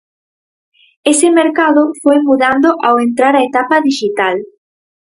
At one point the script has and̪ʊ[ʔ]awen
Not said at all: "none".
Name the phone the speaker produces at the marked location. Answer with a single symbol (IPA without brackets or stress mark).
ʔ